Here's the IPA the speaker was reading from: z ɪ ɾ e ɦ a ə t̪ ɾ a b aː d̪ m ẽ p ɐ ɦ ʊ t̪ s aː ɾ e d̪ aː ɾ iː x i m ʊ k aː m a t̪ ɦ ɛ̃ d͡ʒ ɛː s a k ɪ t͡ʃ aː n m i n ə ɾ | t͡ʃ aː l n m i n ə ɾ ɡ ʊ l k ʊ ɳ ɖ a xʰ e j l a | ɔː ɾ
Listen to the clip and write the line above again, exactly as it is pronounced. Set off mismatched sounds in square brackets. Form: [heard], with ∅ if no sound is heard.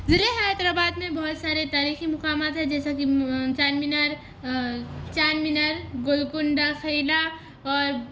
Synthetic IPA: z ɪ ɾ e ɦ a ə t̪ ɾ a b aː d̪ m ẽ [b] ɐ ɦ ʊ t̪ s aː ɾ e [t̪] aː ɾ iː x i m ʊ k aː m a t̪ ɦ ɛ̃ d͡ʒ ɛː s a k [i] t͡ʃ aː n m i n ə ɾ | t͡ʃ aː [∅] n m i n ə ɾ ɡ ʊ l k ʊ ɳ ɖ a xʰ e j l a | ɔː ɾ